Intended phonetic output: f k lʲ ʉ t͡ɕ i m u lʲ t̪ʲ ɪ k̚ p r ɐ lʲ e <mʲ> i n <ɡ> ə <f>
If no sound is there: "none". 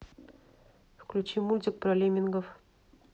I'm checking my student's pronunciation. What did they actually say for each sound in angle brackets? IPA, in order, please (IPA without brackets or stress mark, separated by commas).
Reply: mʲ, ɡ, f